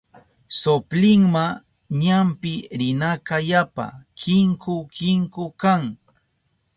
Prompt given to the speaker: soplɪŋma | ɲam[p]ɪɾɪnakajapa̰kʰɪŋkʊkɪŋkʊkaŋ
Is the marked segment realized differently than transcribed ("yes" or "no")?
no